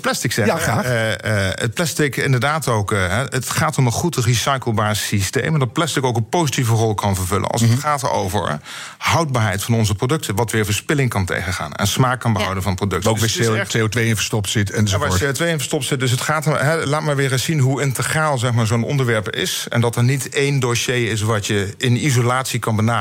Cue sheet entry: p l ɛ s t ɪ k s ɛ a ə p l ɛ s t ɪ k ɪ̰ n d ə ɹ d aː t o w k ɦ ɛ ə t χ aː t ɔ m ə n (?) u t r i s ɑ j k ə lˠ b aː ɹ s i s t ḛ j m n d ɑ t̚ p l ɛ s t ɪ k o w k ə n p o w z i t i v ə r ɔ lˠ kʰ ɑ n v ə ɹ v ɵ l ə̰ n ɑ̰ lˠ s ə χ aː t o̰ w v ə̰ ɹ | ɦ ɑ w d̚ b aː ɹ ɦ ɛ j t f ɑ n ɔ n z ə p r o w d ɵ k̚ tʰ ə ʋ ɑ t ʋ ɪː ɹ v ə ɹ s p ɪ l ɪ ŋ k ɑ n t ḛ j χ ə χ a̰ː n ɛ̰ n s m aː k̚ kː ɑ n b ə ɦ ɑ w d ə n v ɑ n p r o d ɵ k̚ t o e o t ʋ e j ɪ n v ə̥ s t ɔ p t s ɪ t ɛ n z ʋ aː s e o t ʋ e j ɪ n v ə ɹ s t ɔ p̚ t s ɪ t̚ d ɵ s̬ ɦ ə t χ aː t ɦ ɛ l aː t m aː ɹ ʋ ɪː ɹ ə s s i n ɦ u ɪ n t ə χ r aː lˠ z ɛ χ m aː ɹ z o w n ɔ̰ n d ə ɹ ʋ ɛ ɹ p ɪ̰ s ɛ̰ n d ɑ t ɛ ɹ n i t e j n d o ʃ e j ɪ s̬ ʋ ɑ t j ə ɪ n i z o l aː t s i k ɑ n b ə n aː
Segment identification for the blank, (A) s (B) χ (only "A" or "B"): B